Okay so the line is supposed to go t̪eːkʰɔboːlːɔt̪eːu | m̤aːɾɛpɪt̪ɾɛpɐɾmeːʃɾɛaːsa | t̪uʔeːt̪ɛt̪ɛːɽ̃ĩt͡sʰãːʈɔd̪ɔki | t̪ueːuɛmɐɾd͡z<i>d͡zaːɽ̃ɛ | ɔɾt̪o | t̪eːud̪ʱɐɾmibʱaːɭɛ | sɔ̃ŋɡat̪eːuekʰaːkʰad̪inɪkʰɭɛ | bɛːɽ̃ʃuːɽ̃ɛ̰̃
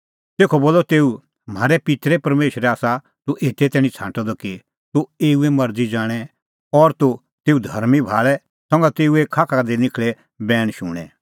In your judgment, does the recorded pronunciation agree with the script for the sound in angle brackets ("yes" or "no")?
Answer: yes